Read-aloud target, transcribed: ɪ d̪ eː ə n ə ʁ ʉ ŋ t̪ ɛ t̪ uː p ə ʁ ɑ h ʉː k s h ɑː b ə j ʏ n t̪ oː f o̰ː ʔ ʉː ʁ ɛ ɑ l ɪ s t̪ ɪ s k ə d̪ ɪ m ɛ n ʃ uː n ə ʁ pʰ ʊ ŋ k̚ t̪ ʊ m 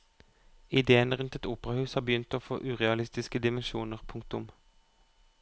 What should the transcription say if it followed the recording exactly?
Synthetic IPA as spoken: ɪ d̪ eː ə n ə ʁ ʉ n t̪ ɛ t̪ uː p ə ʁ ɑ h ʉː s h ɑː b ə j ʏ n t̪ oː f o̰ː ʔ ʉː ʁ ɛ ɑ l ɪ s t̪ ɪ s k ə d̪ ɪ m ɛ n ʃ uː n ə ʁ pʰ ʊ ŋ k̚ t̪ ʊ m